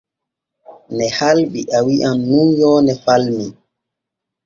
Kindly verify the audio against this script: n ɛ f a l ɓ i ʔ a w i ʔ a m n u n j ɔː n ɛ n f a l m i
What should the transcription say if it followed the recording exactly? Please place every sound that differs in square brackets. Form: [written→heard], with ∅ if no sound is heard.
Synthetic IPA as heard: n ɛ [f→h] a l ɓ i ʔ a w i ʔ a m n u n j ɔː n ɛ [n→∅] f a l m i